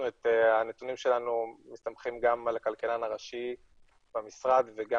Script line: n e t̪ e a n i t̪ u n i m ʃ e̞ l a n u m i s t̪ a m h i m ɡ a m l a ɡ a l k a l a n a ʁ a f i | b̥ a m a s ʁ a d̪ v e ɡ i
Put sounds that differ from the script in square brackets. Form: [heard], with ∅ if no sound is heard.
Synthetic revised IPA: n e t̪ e a n [e] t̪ u n i m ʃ e̞ l a n u m i s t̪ a m [χ] i m ɡ a m l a [k] a l k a l a n a ʁ a [ʃ] i | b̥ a m [i] s ʁ a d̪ v e ɡ [a]